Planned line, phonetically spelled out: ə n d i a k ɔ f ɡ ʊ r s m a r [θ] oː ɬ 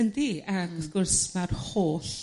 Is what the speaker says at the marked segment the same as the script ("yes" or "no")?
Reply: no